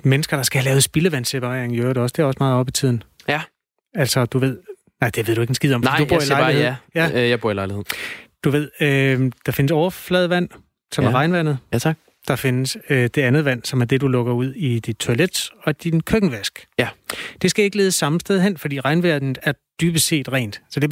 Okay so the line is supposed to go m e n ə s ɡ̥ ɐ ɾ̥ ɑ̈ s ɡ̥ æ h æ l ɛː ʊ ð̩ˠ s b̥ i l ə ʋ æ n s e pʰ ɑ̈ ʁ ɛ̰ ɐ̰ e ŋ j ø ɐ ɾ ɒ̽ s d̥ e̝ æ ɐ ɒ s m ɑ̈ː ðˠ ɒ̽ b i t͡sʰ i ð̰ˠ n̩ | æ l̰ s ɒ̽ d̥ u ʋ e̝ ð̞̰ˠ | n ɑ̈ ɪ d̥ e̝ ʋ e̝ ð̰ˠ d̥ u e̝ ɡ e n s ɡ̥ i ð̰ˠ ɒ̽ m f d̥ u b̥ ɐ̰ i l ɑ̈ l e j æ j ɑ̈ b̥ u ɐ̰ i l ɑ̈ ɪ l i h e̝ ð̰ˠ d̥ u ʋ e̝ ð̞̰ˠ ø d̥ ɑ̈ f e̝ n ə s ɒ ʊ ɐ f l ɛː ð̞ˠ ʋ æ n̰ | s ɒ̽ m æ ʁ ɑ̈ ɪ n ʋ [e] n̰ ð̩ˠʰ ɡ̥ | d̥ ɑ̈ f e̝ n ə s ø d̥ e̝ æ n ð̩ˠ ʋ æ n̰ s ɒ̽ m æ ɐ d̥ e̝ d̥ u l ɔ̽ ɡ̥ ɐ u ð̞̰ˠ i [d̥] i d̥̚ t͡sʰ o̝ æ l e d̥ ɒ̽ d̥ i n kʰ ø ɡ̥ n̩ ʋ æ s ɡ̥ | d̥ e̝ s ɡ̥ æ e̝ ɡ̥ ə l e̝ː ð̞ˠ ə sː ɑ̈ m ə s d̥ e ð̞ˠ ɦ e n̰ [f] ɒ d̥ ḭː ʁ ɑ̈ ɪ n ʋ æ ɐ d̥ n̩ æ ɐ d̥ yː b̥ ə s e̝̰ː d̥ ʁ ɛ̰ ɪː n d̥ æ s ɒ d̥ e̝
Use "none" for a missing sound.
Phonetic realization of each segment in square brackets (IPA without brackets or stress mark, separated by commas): æ, d̥, f